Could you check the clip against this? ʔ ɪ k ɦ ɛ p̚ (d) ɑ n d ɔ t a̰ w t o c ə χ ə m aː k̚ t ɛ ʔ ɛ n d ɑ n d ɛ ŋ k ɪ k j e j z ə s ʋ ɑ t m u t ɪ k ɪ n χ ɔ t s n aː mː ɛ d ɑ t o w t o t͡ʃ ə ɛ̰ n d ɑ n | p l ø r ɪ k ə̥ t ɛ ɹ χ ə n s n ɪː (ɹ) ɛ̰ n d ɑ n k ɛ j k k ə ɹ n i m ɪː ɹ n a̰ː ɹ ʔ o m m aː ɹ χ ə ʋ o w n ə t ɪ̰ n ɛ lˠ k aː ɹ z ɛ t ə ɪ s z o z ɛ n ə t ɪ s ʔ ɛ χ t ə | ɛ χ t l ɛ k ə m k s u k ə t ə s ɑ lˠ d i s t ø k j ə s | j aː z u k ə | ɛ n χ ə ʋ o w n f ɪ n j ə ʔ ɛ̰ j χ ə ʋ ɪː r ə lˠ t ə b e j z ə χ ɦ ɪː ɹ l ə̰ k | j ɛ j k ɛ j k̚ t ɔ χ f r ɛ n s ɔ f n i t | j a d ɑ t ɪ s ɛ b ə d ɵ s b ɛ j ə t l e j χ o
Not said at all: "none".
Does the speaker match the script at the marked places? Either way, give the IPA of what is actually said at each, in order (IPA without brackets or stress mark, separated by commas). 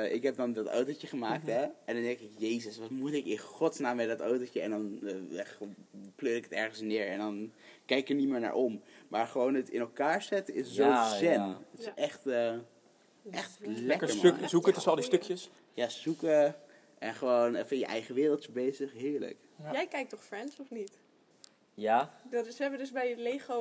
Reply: d, ɹ